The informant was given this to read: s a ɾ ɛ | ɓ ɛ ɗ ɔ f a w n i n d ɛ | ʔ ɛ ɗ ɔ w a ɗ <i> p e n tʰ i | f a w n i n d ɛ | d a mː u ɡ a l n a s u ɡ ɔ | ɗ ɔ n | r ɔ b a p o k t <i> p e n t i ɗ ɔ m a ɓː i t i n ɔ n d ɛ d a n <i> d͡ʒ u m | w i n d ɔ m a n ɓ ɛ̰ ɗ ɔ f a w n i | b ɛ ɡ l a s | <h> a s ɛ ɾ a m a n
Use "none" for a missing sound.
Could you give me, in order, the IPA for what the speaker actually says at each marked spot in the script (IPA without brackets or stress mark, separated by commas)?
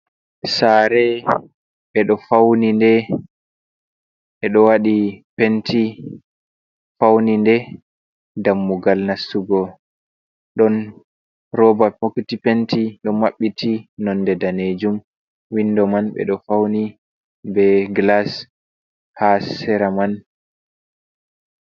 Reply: i, i, e, h